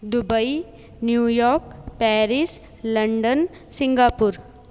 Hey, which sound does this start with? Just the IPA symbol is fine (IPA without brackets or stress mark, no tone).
d̪